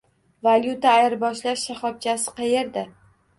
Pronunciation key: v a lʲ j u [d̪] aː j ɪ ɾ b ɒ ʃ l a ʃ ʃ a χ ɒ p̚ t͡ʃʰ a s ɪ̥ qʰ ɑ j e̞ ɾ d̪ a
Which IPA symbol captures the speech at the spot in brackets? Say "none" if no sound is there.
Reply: t̪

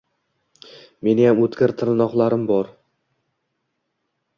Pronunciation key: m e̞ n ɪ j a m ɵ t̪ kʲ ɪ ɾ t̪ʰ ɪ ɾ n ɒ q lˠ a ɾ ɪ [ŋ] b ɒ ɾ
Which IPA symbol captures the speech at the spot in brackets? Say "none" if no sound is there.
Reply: m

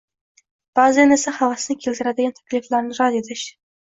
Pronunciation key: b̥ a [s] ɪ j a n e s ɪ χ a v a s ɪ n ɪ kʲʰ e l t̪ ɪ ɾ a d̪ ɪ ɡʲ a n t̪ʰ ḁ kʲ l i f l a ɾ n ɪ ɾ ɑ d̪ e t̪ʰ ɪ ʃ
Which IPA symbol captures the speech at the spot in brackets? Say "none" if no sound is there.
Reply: z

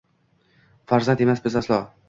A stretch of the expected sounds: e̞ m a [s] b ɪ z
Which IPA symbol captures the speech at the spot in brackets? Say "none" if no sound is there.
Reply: s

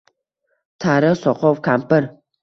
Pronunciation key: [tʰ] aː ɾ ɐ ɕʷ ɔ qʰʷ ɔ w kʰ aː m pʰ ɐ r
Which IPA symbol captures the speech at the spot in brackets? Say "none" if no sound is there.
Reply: tʰ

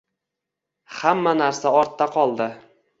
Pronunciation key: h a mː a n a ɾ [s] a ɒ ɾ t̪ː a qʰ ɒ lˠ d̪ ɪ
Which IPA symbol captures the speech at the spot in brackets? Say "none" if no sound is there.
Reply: s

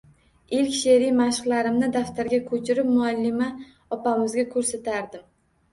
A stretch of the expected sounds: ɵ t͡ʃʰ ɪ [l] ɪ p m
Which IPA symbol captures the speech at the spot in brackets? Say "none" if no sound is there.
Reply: ɾ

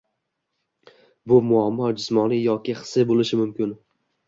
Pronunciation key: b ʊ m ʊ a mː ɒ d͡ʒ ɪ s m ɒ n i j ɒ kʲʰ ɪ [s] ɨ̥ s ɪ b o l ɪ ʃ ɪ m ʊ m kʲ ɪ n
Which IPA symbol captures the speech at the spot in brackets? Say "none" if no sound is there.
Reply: χ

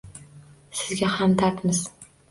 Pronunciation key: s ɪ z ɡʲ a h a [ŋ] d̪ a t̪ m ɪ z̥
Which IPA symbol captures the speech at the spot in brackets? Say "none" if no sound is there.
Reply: m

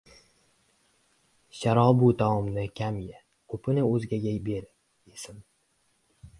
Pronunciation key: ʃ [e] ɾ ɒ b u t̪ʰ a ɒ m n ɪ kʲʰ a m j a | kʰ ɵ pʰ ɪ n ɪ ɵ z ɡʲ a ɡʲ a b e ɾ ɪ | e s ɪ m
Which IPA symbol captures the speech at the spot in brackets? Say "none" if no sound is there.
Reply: a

